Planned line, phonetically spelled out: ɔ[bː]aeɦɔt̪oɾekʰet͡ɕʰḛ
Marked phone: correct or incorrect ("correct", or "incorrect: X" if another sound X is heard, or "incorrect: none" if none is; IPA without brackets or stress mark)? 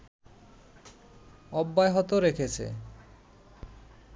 correct